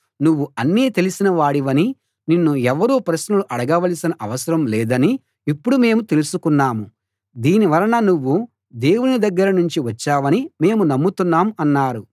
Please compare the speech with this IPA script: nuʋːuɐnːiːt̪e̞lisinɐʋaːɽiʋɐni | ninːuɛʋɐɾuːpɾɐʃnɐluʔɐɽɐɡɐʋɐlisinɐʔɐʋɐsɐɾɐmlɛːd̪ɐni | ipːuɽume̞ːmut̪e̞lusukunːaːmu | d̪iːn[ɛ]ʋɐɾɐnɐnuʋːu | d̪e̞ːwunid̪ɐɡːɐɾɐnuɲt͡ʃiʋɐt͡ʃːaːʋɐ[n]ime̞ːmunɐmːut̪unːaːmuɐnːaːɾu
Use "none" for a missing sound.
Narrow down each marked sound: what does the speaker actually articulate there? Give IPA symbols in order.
i, n

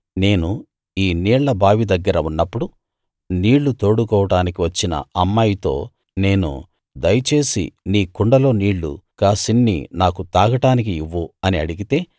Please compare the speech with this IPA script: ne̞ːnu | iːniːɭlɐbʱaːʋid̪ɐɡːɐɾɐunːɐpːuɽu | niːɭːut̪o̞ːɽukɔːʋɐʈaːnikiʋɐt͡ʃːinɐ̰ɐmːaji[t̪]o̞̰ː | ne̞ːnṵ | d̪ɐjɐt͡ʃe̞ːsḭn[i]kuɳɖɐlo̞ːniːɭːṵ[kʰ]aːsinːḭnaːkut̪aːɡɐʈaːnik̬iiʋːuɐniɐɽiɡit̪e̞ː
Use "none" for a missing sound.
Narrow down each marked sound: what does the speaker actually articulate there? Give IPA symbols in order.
t̪, iː, k

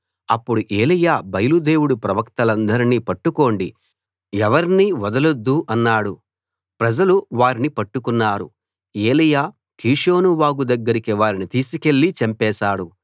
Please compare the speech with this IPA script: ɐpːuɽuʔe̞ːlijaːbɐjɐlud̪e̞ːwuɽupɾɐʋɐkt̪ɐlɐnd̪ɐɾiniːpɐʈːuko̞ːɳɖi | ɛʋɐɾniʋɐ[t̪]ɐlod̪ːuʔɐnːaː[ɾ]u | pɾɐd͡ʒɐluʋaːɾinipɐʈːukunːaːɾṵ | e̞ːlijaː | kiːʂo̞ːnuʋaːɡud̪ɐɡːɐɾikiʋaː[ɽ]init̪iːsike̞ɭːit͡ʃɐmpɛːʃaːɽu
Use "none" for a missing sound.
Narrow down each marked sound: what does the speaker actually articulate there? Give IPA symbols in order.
d̪, ɽ, ɾ

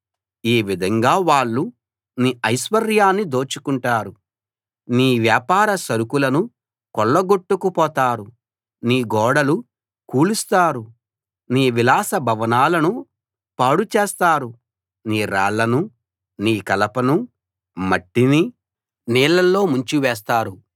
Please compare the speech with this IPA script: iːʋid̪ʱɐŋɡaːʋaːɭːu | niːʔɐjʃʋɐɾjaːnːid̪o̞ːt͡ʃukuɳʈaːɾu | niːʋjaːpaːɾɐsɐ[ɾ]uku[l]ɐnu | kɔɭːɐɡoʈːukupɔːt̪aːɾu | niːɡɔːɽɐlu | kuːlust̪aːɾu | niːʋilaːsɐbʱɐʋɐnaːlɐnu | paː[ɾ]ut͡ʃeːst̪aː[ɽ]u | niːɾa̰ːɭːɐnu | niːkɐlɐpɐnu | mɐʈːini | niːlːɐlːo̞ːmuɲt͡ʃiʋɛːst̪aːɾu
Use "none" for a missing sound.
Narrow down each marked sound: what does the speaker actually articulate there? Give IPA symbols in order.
ɾ, l, ɽ, ɾ

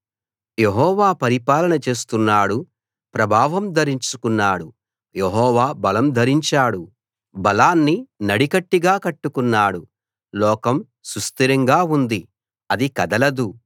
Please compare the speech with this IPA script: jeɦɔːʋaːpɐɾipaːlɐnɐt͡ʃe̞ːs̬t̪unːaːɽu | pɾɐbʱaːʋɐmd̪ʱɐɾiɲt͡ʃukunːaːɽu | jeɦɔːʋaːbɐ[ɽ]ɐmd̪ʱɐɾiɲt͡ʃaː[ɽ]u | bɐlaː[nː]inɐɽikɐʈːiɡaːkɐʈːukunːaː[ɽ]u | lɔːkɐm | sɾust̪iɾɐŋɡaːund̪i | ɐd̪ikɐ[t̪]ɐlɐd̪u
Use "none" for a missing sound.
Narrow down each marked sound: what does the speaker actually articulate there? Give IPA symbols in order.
l, ɽ, nː, ɽ, d̪

